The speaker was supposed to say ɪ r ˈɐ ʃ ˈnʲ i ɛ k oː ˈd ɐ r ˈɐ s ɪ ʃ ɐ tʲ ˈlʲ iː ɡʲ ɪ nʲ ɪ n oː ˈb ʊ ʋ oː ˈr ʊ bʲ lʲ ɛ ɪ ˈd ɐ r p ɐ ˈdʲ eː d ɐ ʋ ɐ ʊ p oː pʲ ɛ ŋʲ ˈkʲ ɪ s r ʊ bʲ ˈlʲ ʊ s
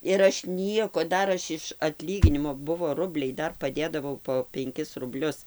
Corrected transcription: ɪ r ˈɐ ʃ ˈnʲ i ɛ k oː ˈd ɐ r ˈɐ ʃ ɪ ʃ ɐ tʲ ˈlʲ iː ɡʲ ɪ nʲ ɪ m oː ˈb ʊ ʋ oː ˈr ʊ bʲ lʲ ɛ ɪ ˈd ɐ r p ɐ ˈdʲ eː d ɐ ʋ ɐ ʊ p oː pʲ ɛ ŋʲ ˈkʲ ɪ s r ʊ bʲ ˈlʲ ʊ s